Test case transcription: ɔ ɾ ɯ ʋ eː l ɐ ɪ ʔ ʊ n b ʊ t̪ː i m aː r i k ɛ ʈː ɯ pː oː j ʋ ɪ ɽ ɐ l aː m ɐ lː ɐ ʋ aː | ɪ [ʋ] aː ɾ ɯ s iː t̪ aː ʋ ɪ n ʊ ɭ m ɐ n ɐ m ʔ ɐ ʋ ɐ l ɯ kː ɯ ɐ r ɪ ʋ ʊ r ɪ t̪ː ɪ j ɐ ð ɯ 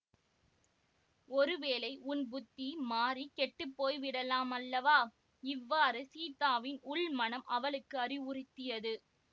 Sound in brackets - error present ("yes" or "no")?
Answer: yes